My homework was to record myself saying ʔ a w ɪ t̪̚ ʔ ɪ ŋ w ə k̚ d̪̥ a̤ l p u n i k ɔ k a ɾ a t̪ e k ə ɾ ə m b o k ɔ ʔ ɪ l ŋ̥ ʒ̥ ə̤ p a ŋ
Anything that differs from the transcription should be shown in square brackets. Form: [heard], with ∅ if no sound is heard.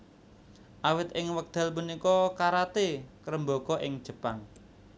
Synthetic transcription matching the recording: ʔ a w ɪ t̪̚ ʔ ɪ ŋ w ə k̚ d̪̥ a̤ l p u n i k ɔ k a ɾ a t̪ e k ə ɾ ə m b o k ɔ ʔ ɪ [∅] ŋ̥ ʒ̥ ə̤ p a ŋ